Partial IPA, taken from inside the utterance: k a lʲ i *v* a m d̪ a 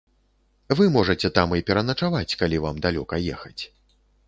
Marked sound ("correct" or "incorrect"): correct